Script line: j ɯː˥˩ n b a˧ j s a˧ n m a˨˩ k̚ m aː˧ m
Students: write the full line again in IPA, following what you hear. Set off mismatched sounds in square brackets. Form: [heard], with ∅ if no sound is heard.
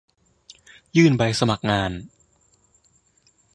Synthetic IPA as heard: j ɯː˥˩ n b a˧ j s a˧ [∅] m a˨˩ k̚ [ŋ] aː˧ [n]